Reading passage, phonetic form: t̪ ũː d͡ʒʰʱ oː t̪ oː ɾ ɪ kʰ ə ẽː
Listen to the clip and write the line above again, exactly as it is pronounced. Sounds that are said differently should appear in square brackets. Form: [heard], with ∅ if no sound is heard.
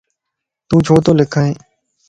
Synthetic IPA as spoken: t̪ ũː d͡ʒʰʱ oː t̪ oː [l] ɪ kʰ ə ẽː